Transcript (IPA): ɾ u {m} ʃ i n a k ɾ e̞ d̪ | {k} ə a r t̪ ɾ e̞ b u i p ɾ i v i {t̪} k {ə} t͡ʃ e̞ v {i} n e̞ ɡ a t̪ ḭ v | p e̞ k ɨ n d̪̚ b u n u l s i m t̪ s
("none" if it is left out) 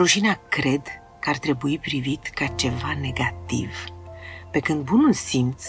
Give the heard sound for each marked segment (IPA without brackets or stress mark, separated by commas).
none, k, t̪, a, a